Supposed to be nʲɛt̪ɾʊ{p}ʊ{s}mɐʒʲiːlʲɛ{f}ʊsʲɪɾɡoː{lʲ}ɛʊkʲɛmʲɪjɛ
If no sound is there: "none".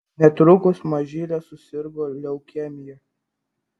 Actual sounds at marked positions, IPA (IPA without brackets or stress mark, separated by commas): k, s, s, lʲ